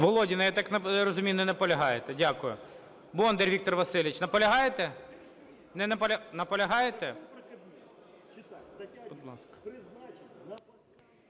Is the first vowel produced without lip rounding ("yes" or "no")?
no